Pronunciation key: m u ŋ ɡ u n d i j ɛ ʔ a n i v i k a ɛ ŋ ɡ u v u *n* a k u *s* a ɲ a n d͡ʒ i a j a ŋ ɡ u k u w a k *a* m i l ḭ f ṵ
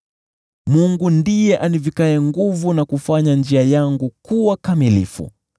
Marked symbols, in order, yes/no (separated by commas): yes, no, yes